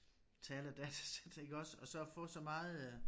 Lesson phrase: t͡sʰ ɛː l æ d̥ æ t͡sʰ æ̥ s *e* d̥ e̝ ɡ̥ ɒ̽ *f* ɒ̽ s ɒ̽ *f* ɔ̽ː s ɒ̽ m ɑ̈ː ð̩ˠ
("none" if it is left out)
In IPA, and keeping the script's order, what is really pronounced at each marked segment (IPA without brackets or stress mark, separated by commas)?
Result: e, s, f